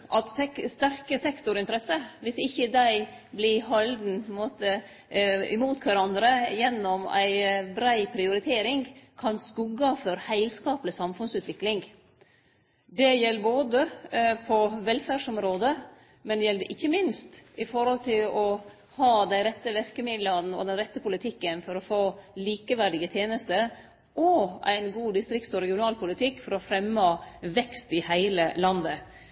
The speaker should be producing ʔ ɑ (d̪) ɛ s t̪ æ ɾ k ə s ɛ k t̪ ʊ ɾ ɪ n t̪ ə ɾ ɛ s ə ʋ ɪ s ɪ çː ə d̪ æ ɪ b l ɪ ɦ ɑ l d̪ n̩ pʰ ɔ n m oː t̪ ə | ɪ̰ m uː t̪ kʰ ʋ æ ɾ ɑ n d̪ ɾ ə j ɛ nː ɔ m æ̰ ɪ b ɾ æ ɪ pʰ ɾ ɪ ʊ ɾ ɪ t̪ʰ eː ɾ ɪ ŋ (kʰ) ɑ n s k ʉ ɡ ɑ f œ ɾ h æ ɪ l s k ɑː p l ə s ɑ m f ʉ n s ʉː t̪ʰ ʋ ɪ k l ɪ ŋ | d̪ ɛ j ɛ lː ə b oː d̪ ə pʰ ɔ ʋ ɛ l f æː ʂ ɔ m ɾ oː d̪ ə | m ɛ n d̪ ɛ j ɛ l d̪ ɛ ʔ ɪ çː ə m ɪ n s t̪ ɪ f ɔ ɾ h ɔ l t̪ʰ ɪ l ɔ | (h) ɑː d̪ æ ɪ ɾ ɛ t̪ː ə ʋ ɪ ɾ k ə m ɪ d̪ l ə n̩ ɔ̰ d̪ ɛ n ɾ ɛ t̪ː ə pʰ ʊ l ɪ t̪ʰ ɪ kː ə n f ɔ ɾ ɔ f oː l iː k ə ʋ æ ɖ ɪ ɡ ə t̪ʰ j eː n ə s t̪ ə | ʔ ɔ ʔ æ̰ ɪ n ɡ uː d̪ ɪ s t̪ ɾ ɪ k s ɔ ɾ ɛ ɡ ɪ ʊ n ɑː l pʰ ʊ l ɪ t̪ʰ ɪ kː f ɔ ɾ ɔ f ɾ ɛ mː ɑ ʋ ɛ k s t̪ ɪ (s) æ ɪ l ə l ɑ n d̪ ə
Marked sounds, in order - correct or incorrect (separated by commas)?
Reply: incorrect, correct, correct, incorrect